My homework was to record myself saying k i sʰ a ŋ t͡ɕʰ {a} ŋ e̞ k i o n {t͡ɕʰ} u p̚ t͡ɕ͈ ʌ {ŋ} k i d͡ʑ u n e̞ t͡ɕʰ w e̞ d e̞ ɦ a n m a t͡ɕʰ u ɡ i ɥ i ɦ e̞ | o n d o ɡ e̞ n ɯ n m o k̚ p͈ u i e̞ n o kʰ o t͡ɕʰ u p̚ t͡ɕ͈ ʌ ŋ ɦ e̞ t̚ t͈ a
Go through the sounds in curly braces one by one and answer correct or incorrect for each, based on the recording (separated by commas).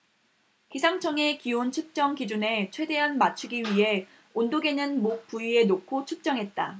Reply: incorrect, correct, correct